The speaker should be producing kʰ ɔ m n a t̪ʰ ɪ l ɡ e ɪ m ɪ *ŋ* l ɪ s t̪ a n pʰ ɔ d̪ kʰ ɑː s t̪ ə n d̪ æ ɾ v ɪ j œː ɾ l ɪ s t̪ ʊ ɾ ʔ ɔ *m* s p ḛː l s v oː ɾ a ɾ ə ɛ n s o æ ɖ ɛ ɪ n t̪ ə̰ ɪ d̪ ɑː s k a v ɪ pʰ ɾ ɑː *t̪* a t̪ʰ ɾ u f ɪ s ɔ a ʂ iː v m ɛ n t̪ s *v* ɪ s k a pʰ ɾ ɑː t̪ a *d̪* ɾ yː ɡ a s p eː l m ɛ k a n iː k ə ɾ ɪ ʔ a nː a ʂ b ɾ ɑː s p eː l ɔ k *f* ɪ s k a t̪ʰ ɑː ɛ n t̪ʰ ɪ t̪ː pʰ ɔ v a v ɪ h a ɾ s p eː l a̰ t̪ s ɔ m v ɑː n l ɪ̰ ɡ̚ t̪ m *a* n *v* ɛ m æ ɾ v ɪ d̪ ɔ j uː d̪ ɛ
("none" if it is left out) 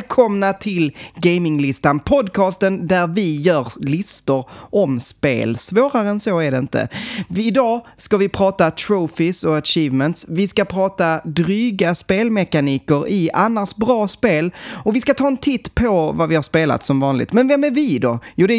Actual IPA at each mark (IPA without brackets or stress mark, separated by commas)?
ŋ, m, t̪, v, d̪, v, ɛ, v